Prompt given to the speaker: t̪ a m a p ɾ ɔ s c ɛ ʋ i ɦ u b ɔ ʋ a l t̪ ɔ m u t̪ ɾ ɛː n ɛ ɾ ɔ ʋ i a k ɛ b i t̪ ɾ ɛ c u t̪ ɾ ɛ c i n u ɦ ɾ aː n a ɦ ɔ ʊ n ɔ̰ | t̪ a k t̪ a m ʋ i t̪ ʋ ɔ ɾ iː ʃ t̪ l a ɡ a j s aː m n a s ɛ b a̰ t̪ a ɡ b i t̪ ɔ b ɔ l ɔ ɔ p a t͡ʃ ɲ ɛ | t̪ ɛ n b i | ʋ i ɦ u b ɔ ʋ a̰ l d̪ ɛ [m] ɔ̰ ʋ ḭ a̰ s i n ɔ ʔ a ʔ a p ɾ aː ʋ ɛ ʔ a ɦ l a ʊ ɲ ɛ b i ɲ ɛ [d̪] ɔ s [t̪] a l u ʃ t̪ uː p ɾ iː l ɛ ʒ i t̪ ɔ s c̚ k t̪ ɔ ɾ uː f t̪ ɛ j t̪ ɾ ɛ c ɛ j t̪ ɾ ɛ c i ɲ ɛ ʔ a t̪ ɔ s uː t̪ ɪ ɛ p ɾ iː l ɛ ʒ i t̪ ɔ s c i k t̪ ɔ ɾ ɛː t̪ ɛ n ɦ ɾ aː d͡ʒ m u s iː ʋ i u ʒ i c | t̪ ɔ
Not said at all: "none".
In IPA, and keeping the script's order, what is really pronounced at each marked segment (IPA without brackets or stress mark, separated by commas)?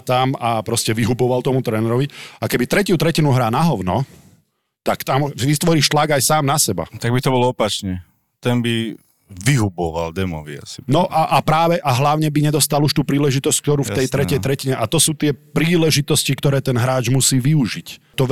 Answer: m, d̪, t̪